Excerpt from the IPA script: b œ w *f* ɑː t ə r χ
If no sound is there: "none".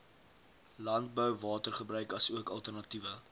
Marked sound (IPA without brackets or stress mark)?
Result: v